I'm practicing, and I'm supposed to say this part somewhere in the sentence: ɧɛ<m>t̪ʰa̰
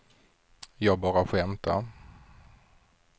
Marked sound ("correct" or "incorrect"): correct